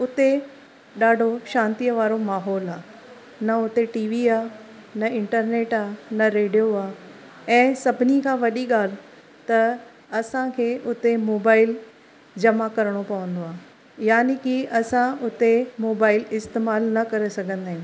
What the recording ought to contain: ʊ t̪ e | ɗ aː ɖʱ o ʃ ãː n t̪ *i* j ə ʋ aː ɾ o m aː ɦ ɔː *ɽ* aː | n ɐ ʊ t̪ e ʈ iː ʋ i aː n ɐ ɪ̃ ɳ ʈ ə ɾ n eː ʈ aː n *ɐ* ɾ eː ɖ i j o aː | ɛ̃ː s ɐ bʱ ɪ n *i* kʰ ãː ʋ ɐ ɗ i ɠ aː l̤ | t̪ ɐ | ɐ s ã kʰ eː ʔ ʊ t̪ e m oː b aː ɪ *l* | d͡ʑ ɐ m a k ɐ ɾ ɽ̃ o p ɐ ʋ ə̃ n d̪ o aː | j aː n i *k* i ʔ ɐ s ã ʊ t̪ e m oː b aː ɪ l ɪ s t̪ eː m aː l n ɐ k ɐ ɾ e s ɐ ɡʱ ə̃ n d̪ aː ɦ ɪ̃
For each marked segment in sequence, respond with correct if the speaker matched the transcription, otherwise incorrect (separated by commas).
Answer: correct, incorrect, correct, correct, correct, correct